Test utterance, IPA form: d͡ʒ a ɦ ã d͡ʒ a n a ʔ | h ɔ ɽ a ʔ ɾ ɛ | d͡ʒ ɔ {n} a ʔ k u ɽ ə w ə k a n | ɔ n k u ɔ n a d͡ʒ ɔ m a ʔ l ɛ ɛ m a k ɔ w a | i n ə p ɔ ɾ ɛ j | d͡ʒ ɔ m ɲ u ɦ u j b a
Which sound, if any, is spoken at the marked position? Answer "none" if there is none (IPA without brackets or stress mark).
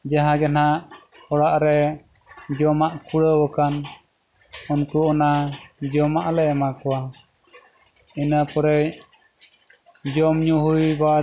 m